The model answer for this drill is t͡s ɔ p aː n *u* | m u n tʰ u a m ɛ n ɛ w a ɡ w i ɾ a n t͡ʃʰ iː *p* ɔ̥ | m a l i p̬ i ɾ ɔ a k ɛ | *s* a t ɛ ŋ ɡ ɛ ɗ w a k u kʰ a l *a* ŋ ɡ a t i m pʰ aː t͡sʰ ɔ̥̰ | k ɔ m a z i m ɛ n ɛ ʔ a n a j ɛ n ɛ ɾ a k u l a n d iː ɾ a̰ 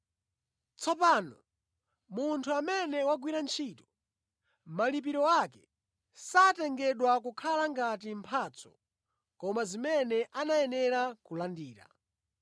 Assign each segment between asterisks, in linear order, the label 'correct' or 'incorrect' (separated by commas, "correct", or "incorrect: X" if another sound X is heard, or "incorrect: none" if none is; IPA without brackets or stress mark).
incorrect: ɔ, incorrect: t, correct, correct